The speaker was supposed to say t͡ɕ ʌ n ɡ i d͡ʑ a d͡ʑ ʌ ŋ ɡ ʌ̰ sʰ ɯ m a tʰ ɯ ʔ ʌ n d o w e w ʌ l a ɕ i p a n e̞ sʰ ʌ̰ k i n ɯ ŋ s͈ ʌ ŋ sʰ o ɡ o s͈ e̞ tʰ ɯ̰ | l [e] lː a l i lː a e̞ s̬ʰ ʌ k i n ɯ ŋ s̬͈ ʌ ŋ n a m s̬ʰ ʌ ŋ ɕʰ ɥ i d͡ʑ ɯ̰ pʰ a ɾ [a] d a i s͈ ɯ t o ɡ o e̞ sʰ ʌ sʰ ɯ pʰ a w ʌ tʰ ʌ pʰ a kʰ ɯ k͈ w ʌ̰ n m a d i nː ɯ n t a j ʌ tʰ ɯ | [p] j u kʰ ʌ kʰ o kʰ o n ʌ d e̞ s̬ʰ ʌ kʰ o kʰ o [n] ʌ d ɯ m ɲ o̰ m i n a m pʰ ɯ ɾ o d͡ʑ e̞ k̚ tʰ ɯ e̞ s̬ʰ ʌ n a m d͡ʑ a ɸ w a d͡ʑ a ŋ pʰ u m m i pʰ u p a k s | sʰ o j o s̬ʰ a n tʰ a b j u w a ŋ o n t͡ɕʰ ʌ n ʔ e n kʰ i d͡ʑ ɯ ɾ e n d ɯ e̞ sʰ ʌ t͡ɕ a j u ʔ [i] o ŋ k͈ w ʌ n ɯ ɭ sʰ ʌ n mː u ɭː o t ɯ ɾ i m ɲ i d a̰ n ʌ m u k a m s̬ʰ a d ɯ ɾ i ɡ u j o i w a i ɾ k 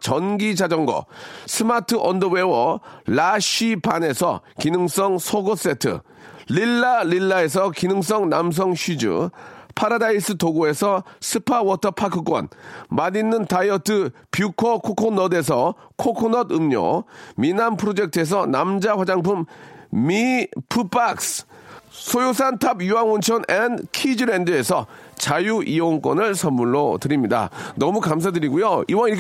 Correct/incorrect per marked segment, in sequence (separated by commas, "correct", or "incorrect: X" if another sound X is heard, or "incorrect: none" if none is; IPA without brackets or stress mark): incorrect: i, correct, correct, correct, correct